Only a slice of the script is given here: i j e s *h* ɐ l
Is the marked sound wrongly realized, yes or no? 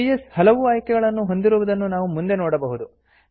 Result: no